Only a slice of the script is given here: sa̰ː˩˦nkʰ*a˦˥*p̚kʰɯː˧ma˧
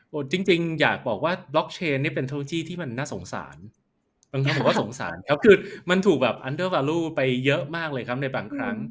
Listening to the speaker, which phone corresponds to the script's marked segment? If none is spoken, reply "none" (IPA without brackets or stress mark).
a˦˥